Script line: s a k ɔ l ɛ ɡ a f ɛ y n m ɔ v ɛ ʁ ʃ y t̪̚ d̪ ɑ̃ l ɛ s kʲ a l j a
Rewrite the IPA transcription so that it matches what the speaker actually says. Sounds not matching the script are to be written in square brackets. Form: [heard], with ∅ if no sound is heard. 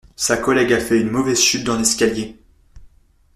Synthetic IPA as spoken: s a k ɔ l ɛ ɡ a f ɛ y n m ɔ v ɛ [z] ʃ y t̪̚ d̪ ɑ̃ l ɛ s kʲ a l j [e]